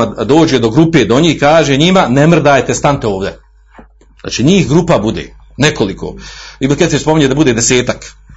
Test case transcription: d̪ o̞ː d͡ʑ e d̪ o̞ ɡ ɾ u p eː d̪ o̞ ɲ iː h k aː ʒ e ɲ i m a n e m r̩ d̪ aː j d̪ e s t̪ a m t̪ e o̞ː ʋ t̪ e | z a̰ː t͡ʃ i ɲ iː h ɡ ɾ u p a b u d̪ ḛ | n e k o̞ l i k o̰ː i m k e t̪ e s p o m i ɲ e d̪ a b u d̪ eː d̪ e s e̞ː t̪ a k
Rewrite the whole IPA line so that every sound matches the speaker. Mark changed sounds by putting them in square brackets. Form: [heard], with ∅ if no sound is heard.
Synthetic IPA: d̪ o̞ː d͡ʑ e d̪ o̞ ɡ ɾ u p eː d̪ o̞ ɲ iː h k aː ʒ e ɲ i m a n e m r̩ d̪ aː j [t̪] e s t̪ a [n] t̪ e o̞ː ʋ [d̪] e | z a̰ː t͡ʃ i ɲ iː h ɡ ɾ u p a b u d̪ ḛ | n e k o̞ l i k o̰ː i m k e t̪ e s p o m i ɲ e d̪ a b u d̪ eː d̪ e s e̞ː t̪ a k